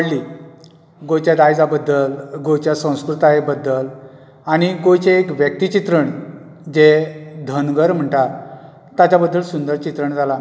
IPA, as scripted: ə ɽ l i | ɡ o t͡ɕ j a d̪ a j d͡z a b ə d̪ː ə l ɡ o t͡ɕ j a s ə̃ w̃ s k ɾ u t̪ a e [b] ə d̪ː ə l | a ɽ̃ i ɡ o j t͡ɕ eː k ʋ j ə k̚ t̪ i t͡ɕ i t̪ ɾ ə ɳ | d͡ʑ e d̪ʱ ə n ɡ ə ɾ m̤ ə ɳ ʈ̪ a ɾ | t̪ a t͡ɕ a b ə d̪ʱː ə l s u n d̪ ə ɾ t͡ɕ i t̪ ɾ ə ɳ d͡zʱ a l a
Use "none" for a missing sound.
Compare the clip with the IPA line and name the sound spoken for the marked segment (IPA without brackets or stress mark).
b